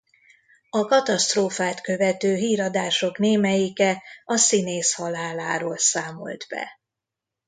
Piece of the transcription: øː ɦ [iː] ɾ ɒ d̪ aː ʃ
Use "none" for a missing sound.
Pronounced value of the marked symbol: iː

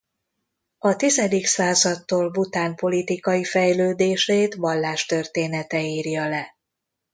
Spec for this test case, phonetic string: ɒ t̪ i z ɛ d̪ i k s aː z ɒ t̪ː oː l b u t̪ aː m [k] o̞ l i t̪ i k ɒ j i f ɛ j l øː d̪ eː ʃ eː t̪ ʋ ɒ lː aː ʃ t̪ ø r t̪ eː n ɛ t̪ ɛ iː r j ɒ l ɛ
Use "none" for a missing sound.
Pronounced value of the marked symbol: p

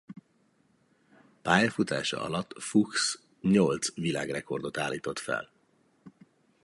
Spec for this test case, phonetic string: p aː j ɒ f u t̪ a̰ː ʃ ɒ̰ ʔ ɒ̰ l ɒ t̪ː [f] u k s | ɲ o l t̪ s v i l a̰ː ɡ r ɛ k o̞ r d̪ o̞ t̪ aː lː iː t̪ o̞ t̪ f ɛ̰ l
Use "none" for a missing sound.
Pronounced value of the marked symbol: f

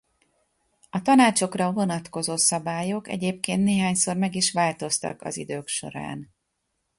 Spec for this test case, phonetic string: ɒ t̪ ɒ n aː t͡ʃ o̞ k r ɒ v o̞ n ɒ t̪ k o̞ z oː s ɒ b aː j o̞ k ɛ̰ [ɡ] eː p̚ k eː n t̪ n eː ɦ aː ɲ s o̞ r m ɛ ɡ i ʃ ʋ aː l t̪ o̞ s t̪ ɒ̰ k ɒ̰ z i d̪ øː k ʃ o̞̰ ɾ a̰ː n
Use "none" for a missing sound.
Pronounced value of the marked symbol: ɟ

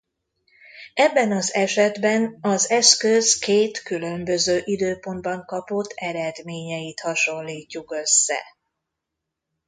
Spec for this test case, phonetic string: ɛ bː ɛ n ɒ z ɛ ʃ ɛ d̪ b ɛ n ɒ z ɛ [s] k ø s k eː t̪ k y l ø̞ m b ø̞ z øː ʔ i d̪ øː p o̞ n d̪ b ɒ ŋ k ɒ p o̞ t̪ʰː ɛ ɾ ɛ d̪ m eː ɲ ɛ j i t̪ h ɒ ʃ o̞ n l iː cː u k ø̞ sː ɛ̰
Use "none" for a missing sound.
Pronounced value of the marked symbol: s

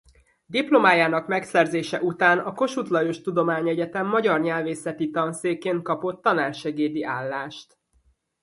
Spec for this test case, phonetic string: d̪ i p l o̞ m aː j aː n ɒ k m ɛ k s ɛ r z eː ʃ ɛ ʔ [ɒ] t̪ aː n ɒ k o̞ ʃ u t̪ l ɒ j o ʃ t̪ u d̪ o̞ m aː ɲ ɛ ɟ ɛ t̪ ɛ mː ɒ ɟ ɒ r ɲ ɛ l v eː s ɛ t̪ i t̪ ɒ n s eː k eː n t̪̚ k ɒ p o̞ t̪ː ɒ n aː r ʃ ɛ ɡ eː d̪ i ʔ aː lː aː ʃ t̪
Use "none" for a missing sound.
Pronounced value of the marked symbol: u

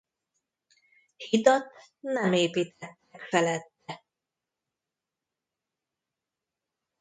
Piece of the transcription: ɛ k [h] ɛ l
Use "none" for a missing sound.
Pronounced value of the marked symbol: f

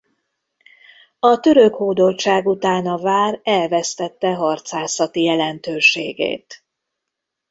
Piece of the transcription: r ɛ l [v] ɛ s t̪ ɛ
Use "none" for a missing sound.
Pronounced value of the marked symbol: v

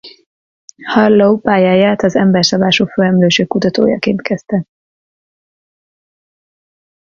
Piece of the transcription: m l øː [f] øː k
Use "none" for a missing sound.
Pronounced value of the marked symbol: ʃ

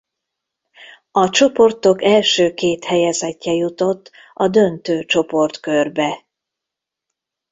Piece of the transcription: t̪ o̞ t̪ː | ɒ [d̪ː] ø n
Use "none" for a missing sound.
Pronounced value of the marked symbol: d̪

